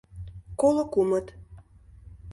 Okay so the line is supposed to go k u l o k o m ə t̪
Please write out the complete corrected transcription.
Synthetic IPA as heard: k o l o k u m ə t̪